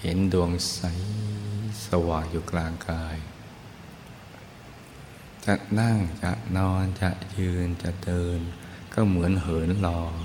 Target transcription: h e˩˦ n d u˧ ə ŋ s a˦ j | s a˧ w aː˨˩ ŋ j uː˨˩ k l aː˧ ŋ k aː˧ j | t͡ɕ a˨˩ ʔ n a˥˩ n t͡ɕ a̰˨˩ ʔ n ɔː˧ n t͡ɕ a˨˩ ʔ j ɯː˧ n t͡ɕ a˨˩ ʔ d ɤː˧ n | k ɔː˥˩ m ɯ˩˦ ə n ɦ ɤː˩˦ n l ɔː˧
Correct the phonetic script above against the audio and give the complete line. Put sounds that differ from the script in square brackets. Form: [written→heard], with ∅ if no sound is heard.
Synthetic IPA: h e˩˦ n d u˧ ə ŋ s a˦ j | s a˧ w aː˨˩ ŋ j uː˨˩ k l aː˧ ŋ k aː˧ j | t͡ɕ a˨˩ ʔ n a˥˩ [n→ŋ] t͡ɕ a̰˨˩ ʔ n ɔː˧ n t͡ɕ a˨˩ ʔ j ɯː˧ n t͡ɕ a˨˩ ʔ d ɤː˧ n | k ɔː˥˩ m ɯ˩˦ ə n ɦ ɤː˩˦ n l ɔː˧